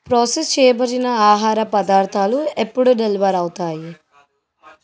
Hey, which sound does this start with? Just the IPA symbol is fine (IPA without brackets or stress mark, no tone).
p